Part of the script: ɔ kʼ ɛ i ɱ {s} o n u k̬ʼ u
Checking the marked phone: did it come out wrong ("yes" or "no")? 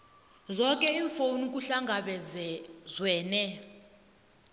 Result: yes